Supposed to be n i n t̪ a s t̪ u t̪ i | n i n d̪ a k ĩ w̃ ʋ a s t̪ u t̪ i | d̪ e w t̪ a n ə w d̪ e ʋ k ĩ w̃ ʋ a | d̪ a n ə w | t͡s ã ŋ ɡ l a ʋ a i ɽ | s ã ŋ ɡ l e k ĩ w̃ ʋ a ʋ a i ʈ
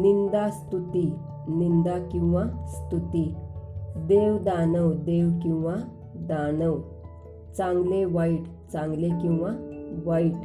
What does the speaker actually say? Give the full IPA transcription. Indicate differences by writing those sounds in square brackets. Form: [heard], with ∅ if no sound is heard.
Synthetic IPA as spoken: n i n [d̪] a s t̪ u t̪ i | n i n d̪ a k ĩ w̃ ʋ a s t̪ u t̪ i | d̪ e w [d̪] a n ə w d̪ e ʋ k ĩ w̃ ʋ a | d̪ a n ə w | t͡s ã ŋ ɡ l [e] ʋ a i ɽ | [t͡s] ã ŋ ɡ l e k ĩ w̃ ʋ a ʋ a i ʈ